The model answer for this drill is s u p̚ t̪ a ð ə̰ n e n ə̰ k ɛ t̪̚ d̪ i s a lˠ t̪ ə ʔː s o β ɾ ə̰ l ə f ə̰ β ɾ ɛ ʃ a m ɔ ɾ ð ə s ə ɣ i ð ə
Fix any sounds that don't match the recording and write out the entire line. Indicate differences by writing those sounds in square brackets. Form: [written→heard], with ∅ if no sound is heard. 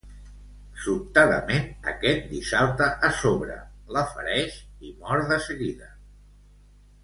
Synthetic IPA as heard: s u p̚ t̪ a ð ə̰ [n→m] e n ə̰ k ɛ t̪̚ d̪ i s a lˠ t̪ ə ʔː s o β ɾ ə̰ l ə f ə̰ [β→∅] ɾ ɛ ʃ [a→i] m ɔ ɾ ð ə s ə ɣ i ð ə